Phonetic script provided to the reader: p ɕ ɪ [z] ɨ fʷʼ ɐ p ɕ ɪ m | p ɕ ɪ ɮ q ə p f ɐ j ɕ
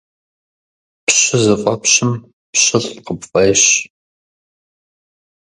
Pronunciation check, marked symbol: correct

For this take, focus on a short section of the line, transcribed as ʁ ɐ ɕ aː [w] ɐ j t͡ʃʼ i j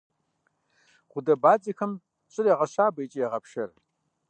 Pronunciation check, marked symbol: incorrect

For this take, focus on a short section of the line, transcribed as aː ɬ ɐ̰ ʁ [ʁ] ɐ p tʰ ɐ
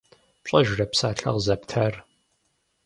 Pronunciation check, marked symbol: incorrect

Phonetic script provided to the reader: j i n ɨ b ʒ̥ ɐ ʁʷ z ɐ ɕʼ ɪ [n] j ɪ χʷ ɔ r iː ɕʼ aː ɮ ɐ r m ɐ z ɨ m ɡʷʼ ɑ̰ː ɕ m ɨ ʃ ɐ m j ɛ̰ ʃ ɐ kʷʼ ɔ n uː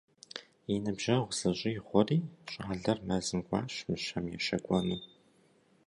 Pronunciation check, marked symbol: incorrect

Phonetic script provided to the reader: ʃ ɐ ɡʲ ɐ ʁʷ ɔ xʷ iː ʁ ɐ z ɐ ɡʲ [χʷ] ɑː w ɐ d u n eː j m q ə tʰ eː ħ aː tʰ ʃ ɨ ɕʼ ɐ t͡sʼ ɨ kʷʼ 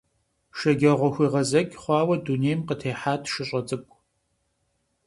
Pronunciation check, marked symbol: correct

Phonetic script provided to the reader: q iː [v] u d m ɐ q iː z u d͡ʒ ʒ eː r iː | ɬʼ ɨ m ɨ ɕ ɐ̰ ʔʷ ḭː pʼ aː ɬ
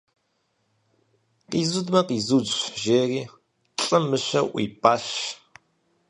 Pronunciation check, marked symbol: incorrect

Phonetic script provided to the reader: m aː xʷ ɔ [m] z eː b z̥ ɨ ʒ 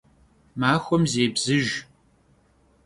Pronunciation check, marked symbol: correct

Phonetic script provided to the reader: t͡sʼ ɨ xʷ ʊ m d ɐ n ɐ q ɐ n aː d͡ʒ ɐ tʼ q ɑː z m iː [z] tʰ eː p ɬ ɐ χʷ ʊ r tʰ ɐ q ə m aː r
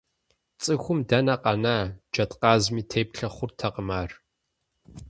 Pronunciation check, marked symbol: incorrect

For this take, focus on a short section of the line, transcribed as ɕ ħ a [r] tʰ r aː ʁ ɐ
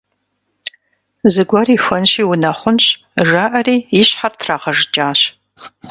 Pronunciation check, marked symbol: correct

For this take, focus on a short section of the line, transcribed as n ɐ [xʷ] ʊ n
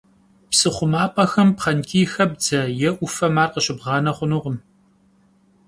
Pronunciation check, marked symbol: incorrect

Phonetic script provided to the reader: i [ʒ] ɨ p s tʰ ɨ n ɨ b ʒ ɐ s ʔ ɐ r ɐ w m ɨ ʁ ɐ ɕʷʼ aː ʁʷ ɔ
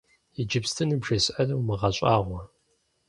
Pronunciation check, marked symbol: incorrect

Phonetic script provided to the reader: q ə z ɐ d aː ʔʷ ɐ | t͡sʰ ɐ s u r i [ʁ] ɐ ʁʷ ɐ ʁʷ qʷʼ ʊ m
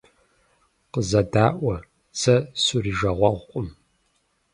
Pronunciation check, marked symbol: incorrect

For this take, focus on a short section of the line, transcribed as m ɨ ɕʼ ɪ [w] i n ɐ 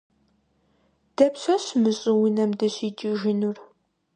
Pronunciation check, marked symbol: correct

